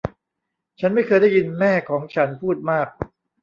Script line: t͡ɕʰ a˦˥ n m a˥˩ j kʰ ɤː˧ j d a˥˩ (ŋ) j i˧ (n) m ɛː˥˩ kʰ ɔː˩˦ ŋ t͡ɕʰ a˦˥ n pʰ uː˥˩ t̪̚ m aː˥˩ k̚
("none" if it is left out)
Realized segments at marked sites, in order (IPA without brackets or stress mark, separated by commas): none, n